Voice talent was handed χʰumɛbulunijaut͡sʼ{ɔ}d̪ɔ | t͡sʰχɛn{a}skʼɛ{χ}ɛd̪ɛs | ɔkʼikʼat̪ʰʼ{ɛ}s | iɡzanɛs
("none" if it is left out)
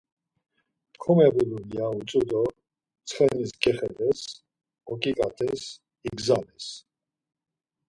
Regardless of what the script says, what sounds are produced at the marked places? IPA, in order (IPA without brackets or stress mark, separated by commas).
u, i, χ, ɛ